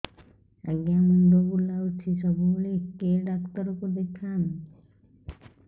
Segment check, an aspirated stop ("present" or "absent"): present